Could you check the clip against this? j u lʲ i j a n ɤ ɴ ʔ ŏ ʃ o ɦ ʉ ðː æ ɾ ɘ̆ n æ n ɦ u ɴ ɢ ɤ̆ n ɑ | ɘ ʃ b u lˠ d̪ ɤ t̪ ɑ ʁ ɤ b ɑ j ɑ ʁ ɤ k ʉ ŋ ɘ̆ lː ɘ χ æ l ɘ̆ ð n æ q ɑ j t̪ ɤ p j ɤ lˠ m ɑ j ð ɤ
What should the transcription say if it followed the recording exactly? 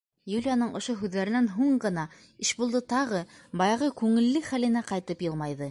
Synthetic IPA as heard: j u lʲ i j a n ɤ ɴ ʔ ŏ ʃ o ɦ ʉ ðː æ ɾ ɘ̆ n æ n ɦ u ɴ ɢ ɤ̆ n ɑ | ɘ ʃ b u lˠ d̪ ɤ t̪ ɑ ʁ ɤ b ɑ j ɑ ʁ ɤ k ʉ ŋ ɘ̆ lː ɘ χ æ l ɘ̆ n æ q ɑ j t̪ ɤ p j ɤ lˠ m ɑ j ð ɤ